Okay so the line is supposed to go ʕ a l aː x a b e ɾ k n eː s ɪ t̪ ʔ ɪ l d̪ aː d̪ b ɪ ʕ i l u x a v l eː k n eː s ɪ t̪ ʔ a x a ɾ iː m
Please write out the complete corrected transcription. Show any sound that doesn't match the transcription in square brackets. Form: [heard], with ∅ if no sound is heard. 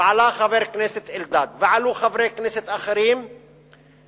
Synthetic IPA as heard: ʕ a l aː x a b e ɾ k n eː s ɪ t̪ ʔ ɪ l d̪ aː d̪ [v] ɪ ʕ [a] l u x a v [ɾ] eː k n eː s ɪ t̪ ʔ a x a ɾ iː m

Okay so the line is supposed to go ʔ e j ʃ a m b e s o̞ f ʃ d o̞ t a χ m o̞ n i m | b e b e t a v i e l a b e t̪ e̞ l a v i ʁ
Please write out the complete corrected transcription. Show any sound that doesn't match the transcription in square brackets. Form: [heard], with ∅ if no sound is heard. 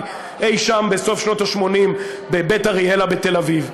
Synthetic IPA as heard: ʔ e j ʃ a m b e s o̞ f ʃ [n] o̞ t a [ʃ] m o̞ n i m | b e b e t a [ʁ] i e l a b e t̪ e̞ l a v i [v]

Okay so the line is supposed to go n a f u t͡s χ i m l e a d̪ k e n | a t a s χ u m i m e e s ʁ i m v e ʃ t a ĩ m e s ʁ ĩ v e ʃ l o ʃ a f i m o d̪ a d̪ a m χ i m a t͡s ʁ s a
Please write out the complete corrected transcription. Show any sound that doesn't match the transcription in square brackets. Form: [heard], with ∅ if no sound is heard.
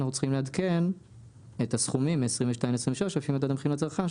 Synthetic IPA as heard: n a [χ] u t͡s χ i m l e a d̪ k e n | [e] t a s χ u m i m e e s ʁ i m v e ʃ t a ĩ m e s ʁ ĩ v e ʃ l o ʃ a f i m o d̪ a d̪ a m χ i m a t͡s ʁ [χ] a

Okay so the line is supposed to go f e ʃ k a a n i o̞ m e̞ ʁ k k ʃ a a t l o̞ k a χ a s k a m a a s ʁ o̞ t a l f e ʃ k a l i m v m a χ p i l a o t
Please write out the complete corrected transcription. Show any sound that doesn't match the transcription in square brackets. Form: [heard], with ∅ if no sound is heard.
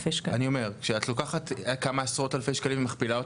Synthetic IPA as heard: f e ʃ k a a n i o̞ m e̞ ʁ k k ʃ [e] a t l o̞ k a χ a [t] k a m a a s ʁ o̞ t a l f e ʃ k a l i m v m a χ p i l a o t

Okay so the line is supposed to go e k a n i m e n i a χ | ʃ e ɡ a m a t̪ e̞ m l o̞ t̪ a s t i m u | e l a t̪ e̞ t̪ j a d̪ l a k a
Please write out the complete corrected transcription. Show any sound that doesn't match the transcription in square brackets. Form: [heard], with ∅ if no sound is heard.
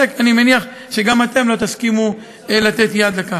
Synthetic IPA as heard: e k a n i m e n i a χ | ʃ e ɡ a m a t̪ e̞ m l o̞ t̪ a s [k] i m u | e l a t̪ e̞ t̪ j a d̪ l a k a

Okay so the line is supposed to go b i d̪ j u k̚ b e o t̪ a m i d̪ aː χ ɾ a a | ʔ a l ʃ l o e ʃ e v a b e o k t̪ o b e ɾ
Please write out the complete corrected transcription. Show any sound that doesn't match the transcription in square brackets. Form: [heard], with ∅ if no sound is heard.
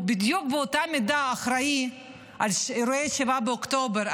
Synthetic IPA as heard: b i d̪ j u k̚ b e o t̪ a m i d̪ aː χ ɾ a [i] | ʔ a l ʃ [ɾ] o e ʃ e v a b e o k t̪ o b e ɾ

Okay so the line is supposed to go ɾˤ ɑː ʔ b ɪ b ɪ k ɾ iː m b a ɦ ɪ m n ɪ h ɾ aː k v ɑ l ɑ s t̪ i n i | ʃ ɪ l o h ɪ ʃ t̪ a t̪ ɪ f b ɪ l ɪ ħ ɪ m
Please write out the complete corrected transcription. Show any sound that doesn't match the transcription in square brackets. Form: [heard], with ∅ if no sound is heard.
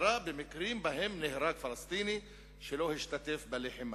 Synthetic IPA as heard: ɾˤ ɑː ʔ b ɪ [m] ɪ k ɾ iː m b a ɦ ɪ m n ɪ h ɾ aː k [f] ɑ l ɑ s t̪ [iː] n i | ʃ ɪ l o h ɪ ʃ t̪ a t̪ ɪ f b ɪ l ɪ ħ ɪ m

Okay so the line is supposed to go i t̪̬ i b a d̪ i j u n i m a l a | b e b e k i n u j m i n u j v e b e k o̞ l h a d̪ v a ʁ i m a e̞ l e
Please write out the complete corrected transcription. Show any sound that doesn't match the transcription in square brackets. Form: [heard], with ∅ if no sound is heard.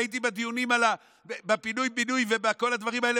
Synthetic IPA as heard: i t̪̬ i b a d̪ i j u n i m a l a | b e b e [p] i n u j [b] i n u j v e b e k o̞ l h a d̪ v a ʁ i m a e̞ l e

